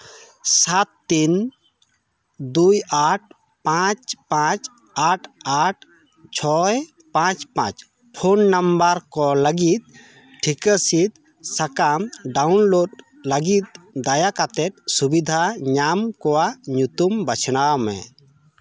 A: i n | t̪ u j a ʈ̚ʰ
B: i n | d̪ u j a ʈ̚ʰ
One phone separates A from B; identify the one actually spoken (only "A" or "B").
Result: B